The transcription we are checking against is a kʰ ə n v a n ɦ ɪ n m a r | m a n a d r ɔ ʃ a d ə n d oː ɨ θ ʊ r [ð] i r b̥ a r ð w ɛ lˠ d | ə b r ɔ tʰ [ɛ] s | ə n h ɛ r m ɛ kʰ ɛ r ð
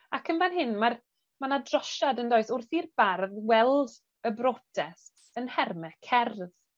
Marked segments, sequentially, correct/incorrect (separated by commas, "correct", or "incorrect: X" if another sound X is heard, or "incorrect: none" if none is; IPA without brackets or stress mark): incorrect: θ, correct